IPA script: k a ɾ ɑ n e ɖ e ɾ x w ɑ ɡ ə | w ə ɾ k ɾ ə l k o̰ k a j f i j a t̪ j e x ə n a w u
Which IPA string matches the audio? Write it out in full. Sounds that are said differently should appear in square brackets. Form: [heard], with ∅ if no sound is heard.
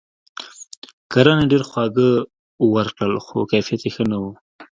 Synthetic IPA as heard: k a ɾ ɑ n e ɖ e ɾ x w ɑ ɡ ə | w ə ɾ k [ɽ] ə l [x] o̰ k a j f i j a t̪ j e x ə n a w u